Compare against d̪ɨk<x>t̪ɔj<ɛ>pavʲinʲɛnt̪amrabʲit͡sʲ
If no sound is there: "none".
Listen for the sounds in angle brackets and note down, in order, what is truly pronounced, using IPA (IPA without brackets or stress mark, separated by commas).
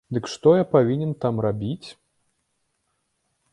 ʂ, a